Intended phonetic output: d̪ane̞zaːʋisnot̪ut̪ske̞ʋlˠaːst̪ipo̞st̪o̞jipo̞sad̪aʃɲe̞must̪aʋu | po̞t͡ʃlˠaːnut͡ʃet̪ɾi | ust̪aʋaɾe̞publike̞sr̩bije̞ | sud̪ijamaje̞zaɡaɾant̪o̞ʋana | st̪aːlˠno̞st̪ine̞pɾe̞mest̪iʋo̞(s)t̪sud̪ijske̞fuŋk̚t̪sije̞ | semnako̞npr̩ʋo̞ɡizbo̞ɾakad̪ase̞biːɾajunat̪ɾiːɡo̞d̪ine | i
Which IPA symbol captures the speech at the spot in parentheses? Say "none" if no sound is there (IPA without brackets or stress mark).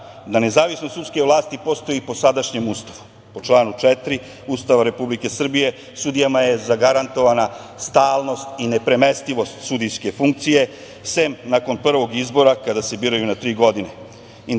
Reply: s